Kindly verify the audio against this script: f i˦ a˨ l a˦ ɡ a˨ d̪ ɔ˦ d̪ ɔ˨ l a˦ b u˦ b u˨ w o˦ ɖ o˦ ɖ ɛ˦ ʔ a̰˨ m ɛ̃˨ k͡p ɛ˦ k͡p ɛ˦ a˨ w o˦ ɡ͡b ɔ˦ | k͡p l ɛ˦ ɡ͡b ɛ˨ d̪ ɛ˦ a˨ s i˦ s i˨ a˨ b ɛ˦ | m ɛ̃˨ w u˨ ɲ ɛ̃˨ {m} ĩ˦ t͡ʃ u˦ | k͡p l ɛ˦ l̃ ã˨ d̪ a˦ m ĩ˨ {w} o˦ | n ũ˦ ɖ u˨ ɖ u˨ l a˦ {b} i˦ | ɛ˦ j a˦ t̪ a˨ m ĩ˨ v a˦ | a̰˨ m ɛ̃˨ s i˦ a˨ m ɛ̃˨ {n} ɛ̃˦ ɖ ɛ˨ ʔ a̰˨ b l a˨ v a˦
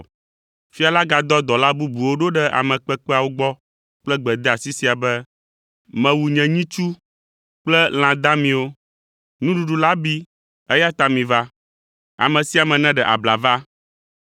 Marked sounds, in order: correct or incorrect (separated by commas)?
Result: incorrect, correct, correct, correct